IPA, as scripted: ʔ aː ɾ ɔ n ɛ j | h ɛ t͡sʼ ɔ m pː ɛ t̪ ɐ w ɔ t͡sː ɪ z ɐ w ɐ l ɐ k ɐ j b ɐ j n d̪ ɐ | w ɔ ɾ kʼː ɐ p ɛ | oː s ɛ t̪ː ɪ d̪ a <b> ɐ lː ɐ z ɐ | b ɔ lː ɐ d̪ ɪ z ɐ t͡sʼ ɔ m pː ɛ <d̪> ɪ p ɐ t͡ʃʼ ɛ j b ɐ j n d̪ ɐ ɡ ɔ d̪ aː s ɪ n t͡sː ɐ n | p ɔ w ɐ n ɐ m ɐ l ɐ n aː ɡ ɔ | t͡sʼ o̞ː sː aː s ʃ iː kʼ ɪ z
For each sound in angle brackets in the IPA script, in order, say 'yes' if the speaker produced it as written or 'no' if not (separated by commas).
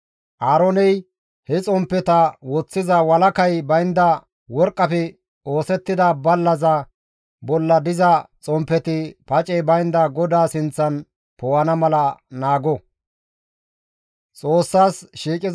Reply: yes, no